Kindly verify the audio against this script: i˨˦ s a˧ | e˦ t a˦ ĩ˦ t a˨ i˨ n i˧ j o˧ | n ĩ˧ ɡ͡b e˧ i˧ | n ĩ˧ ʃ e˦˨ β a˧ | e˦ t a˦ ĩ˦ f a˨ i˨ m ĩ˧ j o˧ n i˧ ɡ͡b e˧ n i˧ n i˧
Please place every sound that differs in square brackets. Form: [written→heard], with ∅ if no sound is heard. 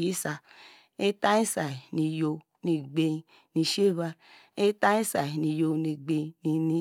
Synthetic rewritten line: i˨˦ s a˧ | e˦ t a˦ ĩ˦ [t→s] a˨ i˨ n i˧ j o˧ | n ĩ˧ ɡ͡b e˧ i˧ | n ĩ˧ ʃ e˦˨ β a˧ | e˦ t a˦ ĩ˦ [f→s] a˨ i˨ [m→n] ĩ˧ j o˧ n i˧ ɡ͡b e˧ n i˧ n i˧

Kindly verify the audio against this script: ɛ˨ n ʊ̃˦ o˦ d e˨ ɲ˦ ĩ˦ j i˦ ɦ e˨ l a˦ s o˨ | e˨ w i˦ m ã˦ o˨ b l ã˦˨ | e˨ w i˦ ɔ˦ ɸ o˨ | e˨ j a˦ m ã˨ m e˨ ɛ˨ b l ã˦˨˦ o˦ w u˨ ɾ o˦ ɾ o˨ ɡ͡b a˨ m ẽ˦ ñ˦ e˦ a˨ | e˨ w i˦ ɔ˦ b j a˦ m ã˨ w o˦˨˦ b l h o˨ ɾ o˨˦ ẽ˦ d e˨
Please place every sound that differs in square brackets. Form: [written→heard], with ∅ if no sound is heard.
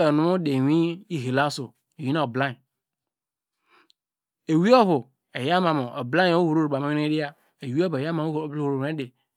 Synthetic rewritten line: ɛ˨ n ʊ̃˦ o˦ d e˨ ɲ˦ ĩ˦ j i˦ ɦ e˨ l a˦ s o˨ | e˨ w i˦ [m→n] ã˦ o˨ b l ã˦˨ | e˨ w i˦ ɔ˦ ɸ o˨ | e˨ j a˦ m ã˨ m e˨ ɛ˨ b l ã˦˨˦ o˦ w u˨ ɾ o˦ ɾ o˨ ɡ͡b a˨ m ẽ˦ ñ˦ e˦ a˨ | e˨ w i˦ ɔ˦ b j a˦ m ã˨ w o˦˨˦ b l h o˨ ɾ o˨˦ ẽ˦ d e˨

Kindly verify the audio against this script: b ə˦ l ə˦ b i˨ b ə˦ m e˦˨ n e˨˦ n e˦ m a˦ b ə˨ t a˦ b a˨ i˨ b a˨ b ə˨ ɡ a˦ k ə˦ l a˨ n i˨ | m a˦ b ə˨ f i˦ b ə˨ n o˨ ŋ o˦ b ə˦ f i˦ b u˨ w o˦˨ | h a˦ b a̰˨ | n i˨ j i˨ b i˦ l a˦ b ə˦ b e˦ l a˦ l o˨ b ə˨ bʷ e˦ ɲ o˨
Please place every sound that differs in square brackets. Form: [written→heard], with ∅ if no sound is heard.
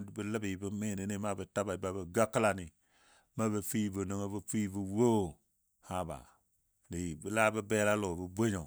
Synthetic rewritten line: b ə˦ l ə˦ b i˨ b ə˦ m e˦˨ n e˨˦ n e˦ m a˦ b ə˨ t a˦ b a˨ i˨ b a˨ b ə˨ ɡ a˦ k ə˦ l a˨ n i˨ | m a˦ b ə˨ f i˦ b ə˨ n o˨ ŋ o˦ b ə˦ f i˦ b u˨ w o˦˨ | h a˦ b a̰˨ | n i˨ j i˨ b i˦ l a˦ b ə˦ b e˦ l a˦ l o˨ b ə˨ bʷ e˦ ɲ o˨

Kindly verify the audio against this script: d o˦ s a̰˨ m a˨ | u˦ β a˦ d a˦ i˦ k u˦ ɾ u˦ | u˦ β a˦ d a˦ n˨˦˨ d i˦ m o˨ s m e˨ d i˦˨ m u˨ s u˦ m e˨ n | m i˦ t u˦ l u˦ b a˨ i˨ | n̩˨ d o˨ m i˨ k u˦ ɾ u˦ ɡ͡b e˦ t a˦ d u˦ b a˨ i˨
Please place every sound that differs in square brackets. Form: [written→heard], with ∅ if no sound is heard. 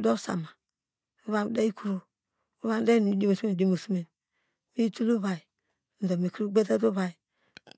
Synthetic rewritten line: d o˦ s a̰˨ m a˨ | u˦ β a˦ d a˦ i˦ k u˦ ɾ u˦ | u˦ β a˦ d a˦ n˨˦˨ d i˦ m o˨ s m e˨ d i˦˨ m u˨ s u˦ m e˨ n | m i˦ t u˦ l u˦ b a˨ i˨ | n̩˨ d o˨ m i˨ k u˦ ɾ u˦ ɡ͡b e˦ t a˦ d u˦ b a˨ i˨

